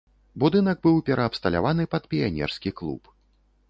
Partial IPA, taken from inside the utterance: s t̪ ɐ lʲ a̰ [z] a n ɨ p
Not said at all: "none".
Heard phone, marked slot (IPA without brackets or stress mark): v